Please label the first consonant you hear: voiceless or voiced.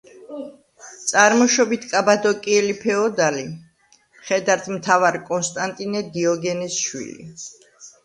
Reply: voiceless